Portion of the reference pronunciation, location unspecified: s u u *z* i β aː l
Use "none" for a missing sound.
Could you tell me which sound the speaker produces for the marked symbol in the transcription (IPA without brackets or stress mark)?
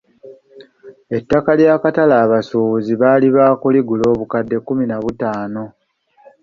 z